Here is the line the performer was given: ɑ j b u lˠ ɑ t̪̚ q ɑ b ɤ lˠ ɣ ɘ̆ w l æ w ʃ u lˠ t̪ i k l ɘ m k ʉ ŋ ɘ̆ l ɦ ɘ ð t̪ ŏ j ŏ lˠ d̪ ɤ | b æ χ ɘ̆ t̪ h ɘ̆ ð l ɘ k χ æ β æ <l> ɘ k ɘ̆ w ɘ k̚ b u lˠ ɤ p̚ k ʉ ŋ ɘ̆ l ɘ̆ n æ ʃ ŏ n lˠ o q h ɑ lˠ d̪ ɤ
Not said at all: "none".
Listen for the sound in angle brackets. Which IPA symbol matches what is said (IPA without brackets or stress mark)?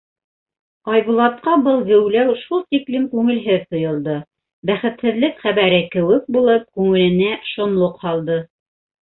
ɾ